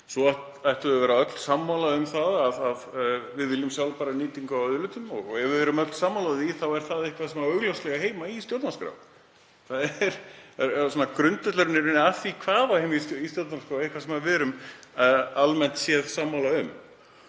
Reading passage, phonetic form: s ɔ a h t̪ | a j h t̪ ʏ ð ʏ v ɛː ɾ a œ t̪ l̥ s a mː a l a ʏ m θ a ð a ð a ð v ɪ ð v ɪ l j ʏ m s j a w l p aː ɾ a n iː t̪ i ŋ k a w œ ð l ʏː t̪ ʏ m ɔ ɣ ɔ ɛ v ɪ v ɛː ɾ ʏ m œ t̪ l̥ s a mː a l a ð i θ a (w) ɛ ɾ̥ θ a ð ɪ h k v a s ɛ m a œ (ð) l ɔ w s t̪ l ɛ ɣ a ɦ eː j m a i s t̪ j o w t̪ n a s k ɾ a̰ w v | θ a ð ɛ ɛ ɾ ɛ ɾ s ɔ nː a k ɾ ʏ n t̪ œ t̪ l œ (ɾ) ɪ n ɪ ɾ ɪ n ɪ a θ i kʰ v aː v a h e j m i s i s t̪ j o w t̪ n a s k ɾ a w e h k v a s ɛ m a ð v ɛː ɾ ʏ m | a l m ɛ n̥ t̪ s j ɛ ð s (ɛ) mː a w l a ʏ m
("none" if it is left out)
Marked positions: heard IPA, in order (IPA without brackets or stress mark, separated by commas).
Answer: w, ɣ, ɾ, a